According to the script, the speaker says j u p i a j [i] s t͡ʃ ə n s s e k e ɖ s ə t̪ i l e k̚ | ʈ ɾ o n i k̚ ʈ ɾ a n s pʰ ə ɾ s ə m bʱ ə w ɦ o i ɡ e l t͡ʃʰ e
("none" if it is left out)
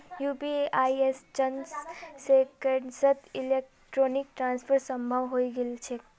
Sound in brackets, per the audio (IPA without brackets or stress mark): e